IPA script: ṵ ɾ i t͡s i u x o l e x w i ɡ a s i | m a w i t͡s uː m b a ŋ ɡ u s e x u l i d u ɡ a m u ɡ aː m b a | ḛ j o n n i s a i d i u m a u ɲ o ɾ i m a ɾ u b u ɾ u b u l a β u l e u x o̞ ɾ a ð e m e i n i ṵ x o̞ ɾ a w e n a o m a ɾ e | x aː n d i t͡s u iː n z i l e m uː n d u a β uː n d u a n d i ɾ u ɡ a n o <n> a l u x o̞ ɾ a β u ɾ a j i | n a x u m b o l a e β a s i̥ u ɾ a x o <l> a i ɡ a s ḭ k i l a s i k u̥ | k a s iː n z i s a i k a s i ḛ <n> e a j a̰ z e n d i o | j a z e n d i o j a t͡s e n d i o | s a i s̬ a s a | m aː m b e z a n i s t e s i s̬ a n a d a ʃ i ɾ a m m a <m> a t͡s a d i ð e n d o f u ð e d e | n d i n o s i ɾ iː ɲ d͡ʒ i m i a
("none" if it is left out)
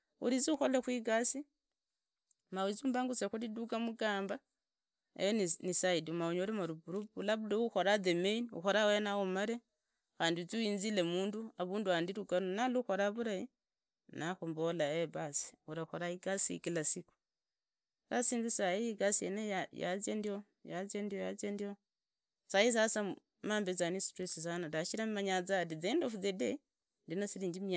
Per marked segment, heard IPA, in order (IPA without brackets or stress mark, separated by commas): n, ɾ, n, ɲ